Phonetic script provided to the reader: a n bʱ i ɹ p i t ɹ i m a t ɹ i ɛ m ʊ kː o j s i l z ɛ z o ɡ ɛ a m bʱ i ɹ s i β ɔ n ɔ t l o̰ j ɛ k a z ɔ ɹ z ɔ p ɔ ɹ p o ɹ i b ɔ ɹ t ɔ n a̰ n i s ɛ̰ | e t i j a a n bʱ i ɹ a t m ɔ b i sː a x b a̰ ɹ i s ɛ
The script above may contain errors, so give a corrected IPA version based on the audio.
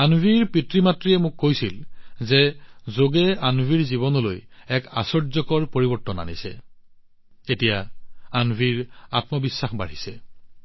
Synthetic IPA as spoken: a n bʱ i ɹ p i t ɹ i m a t ɹ i ɛ m ʊ kː o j s i l z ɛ z o ɡ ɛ a n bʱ i ɹ z i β ɔ n ɔ l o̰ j ɛ k a s ɔ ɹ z ɔ k ɔ ɹ p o ɹ i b ɔ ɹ t ɔ n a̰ n i s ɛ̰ | e t i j a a n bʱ i ɹ a t m ɔ b i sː a x b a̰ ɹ i s ɛ